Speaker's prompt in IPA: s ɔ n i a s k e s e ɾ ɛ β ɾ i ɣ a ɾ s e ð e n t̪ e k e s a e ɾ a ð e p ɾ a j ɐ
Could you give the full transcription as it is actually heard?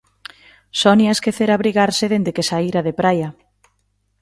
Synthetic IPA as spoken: s ɔ n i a s k e θ e ɾ a β ɾ i ɣ a ɾ s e ð e n d̪ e k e s a i ɾ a ð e p ɾ a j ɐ